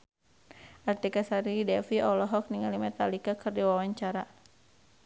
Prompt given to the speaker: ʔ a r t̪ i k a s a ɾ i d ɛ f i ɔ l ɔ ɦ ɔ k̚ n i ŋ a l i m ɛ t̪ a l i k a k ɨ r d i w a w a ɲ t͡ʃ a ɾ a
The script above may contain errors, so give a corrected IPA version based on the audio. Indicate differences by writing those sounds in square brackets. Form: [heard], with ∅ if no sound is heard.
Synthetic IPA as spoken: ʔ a r t̪ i k a s a ɾ i d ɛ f i ɔ l ɔ ɦ ɔ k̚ n i ŋ a l i m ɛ t̪ a l i k a k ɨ r d i w a w a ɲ t͡ʃ a ɾ a